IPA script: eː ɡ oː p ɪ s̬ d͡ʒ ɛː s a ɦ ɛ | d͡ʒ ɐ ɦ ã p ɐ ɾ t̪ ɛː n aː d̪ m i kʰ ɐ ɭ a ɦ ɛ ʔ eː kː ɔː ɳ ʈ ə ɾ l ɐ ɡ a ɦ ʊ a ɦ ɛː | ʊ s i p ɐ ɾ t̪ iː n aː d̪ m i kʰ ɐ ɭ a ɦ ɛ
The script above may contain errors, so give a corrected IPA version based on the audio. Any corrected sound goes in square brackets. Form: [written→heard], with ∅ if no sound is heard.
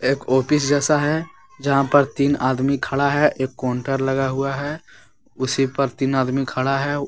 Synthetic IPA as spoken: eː [ɡ→k] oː p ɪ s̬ d͡ʒ ɛː s a ɦ ɛ | d͡ʒ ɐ ɦ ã p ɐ ɾ t̪ [ɛː→iː] n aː d̪ m i kʰ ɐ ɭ a ɦ ɛ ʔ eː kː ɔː ɳ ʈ ə ɾ l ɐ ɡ a ɦ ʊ a ɦ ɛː | ʊ s i p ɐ ɾ t̪ iː n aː d̪ m i kʰ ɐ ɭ a ɦ ɛ